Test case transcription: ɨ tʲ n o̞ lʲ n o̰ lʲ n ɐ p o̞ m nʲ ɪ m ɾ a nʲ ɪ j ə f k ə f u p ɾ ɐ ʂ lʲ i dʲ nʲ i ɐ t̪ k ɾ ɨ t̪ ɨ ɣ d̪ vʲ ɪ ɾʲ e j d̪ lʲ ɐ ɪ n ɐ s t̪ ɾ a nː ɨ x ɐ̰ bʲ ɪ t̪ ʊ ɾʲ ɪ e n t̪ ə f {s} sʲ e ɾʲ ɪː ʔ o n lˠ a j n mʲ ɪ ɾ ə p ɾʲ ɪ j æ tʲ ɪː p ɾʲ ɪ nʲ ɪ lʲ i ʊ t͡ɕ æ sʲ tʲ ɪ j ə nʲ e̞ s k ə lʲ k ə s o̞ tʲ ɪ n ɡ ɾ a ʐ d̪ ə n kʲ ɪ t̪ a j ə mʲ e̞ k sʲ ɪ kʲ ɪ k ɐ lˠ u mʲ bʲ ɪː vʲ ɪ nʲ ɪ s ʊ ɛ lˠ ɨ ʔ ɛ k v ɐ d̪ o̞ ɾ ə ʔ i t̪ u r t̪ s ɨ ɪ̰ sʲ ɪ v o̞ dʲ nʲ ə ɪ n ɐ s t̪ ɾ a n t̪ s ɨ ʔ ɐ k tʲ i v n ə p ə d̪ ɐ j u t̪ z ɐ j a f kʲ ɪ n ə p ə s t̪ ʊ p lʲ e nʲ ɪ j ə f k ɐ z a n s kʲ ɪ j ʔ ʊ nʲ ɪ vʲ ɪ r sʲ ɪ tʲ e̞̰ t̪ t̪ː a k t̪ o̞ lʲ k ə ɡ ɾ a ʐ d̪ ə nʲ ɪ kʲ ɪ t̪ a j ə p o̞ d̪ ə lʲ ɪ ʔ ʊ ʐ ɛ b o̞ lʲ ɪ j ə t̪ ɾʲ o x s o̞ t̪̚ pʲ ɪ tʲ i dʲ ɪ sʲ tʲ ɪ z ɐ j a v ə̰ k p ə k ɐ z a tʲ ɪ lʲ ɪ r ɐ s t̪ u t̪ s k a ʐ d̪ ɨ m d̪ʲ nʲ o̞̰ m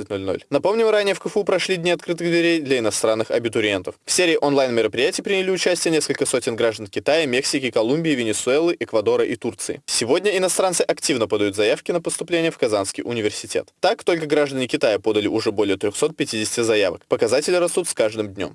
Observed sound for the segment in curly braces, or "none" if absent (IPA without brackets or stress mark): f